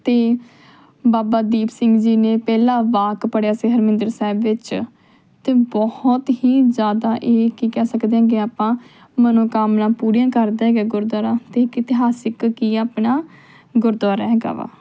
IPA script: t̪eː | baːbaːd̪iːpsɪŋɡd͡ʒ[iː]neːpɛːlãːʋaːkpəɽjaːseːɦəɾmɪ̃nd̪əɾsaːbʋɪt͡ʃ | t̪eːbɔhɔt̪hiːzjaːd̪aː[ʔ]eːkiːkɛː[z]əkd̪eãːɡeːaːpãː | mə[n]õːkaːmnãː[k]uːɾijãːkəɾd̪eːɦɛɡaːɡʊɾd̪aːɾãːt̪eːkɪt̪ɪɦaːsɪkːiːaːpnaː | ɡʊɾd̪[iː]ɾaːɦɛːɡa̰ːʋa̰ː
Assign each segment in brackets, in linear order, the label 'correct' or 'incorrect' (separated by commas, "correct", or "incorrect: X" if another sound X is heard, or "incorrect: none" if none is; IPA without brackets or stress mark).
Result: correct, correct, incorrect: s, correct, incorrect: p, incorrect: aː